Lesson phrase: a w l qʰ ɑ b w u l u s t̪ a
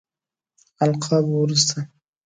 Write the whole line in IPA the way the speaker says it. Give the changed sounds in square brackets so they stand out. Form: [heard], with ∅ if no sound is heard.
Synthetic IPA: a [∅] l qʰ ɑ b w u [ɾ] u s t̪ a